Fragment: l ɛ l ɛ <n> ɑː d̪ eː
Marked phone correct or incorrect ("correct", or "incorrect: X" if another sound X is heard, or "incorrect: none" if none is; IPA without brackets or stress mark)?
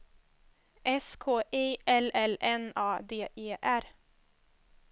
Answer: correct